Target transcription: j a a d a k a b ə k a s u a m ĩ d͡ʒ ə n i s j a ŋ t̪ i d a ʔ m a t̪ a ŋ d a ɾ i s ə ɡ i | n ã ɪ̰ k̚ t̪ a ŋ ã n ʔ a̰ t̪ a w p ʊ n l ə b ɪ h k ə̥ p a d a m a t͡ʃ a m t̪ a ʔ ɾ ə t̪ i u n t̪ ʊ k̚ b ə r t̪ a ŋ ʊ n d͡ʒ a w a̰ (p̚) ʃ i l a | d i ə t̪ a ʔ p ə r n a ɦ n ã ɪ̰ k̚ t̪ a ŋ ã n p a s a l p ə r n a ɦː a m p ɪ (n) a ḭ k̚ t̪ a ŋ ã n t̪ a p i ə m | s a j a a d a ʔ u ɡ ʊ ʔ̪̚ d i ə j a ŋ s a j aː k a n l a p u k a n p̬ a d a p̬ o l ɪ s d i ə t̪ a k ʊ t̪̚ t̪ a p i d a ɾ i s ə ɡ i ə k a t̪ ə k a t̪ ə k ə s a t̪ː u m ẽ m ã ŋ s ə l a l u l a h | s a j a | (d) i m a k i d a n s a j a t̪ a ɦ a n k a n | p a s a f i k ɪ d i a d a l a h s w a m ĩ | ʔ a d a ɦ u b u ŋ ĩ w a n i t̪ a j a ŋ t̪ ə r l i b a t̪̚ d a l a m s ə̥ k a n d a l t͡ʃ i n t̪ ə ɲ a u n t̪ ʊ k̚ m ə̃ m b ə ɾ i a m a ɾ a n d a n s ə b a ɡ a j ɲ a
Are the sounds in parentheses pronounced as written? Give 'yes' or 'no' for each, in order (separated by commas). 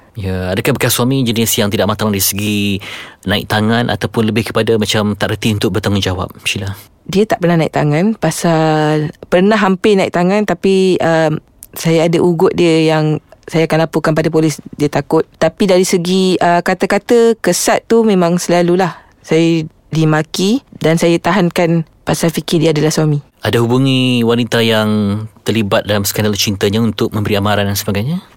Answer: yes, yes, yes